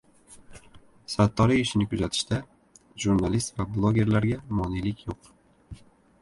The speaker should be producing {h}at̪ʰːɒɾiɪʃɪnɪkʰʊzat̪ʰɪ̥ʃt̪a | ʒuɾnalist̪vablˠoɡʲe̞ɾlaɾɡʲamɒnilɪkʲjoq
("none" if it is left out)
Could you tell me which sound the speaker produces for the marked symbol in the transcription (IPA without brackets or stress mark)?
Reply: s